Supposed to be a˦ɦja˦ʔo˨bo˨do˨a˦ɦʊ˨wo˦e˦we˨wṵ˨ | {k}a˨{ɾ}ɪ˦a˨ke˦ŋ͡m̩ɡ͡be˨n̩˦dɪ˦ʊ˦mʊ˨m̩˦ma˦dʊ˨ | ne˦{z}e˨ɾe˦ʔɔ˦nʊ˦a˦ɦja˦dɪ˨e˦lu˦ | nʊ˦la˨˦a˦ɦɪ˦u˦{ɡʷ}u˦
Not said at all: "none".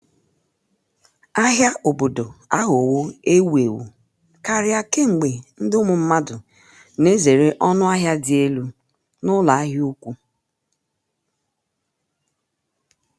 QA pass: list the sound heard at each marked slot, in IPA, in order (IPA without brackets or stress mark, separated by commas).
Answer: k, ɾ, z, kʷ